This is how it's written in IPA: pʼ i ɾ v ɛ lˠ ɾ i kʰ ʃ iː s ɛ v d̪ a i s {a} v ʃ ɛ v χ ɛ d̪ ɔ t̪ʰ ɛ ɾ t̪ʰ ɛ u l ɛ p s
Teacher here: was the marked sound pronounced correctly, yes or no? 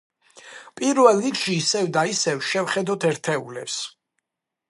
no